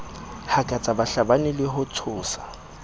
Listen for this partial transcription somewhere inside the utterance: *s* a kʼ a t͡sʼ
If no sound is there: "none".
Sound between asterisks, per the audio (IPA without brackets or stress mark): h